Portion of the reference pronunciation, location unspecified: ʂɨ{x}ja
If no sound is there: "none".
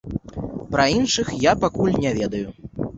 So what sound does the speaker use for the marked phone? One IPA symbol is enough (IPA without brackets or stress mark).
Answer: x